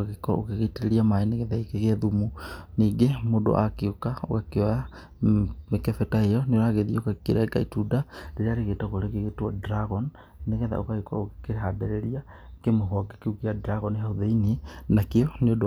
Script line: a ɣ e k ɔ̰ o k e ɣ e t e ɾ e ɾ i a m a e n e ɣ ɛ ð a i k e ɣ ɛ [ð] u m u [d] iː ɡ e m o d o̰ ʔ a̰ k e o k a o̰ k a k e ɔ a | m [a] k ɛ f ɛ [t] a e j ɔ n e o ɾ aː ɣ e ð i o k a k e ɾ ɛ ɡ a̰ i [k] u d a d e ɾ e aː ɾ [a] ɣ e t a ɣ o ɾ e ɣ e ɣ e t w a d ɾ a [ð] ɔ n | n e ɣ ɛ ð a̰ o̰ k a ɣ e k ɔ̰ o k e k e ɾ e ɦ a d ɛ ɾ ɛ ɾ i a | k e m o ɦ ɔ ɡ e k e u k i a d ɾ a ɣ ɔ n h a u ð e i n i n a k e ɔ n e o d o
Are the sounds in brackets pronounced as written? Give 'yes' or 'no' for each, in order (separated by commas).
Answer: yes, no, no, yes, no, no, no